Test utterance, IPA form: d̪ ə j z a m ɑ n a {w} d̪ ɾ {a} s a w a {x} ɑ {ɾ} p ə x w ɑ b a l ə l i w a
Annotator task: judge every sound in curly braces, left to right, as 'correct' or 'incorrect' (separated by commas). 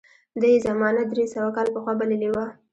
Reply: incorrect, incorrect, incorrect, incorrect